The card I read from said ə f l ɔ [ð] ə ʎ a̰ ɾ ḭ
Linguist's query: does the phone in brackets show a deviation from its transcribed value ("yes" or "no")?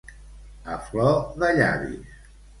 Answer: no